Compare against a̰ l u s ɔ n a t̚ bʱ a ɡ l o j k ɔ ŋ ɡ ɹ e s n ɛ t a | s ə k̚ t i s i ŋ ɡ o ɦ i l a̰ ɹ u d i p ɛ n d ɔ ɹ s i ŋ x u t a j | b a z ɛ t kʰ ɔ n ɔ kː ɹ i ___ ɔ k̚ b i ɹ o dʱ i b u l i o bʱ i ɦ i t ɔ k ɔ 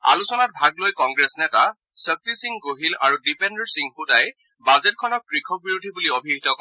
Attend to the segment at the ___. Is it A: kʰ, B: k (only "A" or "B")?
A